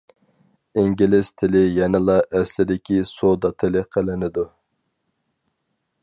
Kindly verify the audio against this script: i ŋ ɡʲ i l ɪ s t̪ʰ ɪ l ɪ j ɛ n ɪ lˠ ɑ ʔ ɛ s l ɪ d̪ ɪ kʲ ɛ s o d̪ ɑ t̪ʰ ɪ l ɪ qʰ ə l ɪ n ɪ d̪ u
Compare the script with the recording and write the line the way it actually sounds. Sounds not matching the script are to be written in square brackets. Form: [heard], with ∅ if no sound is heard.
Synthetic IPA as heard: i ŋ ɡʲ i l ɪ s t̪ʰ ɪ l ɪ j ɛ n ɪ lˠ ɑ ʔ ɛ s l ɪ d̪ ɪ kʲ [i] s o d̪ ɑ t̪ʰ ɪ l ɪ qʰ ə l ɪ n ɪ d̪ u

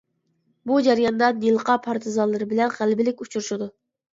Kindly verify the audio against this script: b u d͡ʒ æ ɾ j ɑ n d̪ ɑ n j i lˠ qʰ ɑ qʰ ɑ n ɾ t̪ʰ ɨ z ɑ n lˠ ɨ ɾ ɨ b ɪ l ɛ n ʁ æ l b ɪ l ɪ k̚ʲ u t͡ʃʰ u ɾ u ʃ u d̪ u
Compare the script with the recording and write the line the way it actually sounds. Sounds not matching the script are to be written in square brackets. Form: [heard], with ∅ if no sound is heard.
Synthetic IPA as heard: b u d͡ʒ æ ɾ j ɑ n d̪ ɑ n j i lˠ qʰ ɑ [pʰ] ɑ [∅] ɾ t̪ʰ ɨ z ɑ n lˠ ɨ ɾ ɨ b ɪ l ɛ n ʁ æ l b ɪ l ɪ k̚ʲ u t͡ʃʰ u ɾ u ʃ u d̪ u

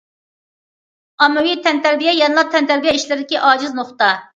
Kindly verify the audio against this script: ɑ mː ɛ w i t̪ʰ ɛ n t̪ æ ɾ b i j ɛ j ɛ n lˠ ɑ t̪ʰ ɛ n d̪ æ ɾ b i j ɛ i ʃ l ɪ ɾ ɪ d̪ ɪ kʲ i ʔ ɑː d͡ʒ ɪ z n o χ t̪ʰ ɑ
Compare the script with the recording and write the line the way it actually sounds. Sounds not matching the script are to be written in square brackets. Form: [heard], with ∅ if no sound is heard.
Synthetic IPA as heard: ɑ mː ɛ w i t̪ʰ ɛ n t̪ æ ɾ b i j ɛ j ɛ n lˠ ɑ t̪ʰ ɛ n [t̪] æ ɾ b i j ɛ i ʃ l ɪ ɾ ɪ d̪ ɪ kʲ i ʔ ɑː d͡ʒ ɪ z n o χ [t̪] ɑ

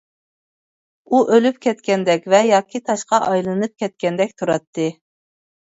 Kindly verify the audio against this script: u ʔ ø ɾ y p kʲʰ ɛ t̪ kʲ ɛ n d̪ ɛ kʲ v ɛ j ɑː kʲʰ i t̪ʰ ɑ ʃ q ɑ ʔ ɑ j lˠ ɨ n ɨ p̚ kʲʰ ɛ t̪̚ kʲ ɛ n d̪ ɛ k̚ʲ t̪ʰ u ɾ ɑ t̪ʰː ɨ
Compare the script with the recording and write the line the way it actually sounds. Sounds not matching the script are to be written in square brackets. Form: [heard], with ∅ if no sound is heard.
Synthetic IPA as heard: u ʔ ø [l] y p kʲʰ ɛ t̪ kʲ ɛ n d̪ ɛ kʲ v ɛ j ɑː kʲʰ i t̪ʰ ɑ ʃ q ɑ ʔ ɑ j lˠ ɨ n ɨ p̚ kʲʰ ɛ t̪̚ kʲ ɛ n d̪ ɛ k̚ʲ t̪ʰ u ɾ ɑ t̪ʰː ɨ

